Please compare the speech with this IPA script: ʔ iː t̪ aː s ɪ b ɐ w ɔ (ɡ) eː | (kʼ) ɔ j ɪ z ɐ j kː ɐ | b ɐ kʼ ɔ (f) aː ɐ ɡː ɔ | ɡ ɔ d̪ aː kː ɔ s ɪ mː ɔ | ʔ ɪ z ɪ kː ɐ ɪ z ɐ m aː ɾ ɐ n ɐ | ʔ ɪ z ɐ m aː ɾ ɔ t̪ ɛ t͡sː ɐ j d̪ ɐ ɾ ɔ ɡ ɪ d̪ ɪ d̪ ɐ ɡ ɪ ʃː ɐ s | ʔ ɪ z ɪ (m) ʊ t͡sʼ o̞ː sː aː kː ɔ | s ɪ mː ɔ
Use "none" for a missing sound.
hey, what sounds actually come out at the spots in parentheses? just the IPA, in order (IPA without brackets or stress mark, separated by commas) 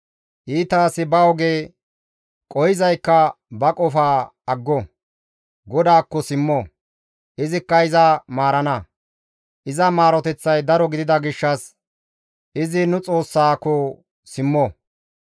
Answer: ɡ, kʼ, f, n